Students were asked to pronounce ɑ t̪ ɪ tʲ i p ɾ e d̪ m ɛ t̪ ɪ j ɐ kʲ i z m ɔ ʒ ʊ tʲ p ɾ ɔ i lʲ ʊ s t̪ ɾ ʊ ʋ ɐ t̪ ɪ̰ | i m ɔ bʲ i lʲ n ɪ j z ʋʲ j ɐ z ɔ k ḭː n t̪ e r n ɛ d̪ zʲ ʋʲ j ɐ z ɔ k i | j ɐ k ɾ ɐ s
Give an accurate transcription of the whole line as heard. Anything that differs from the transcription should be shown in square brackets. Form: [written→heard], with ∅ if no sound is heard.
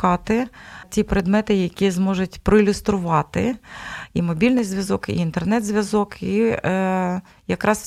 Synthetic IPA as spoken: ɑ t̪ ɪ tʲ i p ɾ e d̪ m ɛ t̪ ɪ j ɐ kʲ i z m ɔ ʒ ʊ tʲ p ɾ ɔ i lʲ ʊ s t̪ ɾ ʊ ʋ [ɐ→ɑ] t̪ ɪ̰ | i m ɔ bʲ i lʲ n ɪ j z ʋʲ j ɐ z ɔ k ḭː n t̪ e r n ɛ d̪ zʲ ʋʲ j ɐ z ɔ k i | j ɐ k ɾ [ɐ→ɑ] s